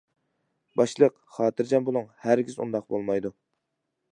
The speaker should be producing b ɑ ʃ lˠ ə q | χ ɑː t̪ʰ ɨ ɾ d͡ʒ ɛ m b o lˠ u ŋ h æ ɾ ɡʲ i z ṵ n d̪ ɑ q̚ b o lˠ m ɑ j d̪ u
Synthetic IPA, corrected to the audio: b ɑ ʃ lˠ ə q | χ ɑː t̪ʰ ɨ ɾ d͡ʒ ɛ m b o lˠ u ŋ h æ ɾ ɡʲ i z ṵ n d̪ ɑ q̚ b o lˠ m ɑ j d̪ u